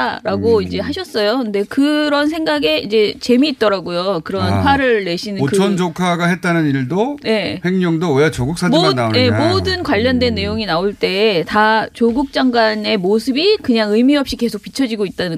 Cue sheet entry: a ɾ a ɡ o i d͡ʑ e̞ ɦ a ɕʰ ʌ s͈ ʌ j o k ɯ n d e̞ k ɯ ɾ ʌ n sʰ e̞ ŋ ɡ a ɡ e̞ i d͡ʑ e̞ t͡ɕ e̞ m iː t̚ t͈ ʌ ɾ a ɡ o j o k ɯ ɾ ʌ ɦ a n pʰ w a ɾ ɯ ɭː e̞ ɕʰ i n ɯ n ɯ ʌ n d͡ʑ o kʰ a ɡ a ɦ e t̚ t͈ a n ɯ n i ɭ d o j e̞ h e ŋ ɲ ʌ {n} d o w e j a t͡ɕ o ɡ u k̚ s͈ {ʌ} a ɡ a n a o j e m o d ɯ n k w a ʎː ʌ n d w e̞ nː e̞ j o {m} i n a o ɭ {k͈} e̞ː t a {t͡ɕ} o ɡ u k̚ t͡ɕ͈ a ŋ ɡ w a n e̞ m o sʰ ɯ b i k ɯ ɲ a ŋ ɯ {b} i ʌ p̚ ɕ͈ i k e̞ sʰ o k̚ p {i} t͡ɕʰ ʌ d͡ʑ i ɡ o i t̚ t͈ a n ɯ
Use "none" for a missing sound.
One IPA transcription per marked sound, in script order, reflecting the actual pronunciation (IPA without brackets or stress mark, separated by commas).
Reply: ŋ, a, ŋ, t͈, t͡ɕ, m, i